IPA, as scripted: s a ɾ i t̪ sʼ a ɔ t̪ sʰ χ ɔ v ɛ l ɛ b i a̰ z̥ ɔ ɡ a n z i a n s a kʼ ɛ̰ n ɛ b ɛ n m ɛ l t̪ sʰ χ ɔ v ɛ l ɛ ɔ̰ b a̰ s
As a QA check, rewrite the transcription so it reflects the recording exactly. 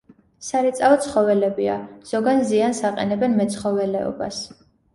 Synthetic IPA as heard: s a ɾ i t̪ sʼ a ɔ t̪ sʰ χ ɔ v ɛ l ɛ b i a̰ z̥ ɔ ɡ a n z i a n s a qʼ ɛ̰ n ɛ b ɛ n m ɛ t̪ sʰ χ ɔ v ɛ l ɛ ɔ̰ b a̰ s

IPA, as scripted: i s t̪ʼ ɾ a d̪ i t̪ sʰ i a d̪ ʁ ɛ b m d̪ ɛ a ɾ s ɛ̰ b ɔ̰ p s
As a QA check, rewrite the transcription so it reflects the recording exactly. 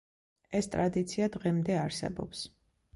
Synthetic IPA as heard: ɛ s t̪ʼ ɾ a d̪ i t̪ sʰ i a d̪ ʁ ɛ m d̪ ɛ a ɾ s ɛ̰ b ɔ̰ p s

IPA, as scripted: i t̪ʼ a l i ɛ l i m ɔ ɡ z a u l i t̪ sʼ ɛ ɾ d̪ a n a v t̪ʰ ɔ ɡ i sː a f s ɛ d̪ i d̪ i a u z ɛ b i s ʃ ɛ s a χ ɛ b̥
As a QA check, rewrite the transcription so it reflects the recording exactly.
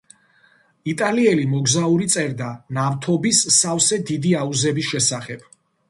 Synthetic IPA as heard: i t̪ʼ a l i ɛ l i m ɔ ɡ z a u ɾ i t̪ sʼ ɛ ɾ d̪ a n a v t̪ʰ ɔ b i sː a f s ɛ d̪ i d̪ i a u z ɛ b i s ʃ ɛ s a χ ɛ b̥

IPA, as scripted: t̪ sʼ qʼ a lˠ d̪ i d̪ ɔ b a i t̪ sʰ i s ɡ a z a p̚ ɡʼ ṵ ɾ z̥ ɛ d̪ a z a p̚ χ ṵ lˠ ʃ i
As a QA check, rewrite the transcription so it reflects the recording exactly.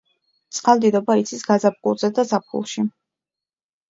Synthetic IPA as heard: t̪ sʼ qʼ a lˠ d̪ i d̪ ɔ b a i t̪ sʰ i s ɡ a z a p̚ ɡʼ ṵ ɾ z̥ ɛ d̪ a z a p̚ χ ṵ lˠ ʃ i

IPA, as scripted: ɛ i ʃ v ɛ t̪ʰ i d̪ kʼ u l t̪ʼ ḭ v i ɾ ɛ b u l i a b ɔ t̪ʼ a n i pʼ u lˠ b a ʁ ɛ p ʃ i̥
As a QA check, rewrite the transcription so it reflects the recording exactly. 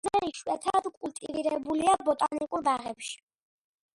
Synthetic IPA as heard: ɛ i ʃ w ɛ t̪ʰ a d̪ kʼ u l t̪ʼ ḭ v i ɾ ɛ b u l i a b ɔ t̪ʼ a n i kʼ u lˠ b a ʁ ɛ p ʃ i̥

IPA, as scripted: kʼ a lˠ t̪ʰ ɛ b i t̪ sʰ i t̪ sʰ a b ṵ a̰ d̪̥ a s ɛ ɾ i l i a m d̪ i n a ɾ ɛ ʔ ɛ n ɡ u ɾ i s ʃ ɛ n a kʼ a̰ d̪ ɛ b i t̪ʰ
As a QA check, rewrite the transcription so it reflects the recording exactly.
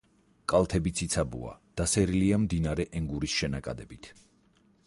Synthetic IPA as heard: kʼ a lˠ t̪ʰ ɛ b i t̪ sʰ i t̪ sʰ a b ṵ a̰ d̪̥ a s ɛ ɾ i l i a m d̪ i n a ɾ ɛ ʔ ɛ ŋ ɡ u ɾ i s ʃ ɛ n a kʼ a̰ d̪ ɛ b i t̪ʰ

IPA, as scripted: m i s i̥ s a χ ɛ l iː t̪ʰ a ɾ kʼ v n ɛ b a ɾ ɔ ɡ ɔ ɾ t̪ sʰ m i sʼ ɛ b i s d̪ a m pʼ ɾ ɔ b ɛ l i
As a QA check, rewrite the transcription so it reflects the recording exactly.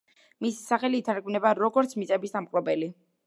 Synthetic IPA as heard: m i s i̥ s a χ ɛ l iː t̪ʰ a ɾ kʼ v n ɛ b a ɾ ɔ ɡ ɔ ɾ t̪ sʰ m i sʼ ɛ b i s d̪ a m qʼ ɾ ɔ b ɛ l i

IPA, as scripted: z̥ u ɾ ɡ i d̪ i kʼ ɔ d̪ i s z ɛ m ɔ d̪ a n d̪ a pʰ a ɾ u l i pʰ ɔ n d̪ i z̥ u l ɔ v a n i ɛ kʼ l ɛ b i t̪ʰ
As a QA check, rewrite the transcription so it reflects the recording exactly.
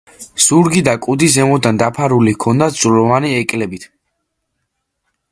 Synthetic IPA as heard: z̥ u ɾ ɡ i d̪ a kʼ u d̪ i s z ɛ m ɔ d̪ a n d̪ a pʰ a ɾ u l i kʰ ɔ n d̪ a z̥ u l ɔ v a n i ɛ kʼ l ɛ b i t̪ʰ

